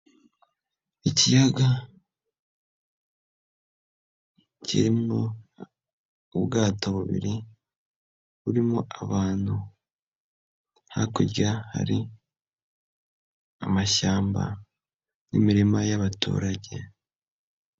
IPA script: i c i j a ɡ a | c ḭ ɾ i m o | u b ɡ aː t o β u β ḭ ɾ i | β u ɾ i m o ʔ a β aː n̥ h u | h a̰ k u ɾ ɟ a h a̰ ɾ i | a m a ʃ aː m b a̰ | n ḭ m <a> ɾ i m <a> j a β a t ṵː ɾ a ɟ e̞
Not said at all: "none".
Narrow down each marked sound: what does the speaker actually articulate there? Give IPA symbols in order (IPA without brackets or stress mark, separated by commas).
i, a